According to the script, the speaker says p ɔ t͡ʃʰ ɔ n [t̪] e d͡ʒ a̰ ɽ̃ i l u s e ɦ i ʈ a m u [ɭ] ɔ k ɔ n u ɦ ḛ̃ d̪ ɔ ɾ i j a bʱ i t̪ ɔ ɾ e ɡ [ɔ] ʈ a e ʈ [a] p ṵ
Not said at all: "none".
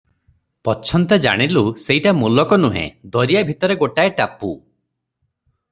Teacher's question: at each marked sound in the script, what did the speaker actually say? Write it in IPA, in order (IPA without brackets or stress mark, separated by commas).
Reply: t̪, l, o, a